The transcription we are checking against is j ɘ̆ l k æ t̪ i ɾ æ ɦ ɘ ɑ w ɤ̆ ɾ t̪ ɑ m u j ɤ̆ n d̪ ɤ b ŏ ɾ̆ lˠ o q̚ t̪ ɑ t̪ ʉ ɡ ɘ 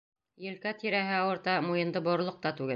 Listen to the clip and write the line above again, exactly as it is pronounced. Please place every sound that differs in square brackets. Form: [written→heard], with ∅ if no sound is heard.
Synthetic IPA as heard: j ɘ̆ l k æ t̪ i ɾ æ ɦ ɘ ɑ w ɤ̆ ɾ t̪ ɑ m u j ɤ̆ n d̪ ɤ b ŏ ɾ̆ lˠ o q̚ t̪ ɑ t̪ ʉ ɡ ɘ